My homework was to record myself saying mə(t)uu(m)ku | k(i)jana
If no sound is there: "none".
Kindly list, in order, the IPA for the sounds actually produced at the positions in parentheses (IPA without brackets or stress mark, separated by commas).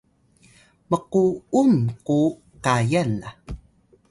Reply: q, m, a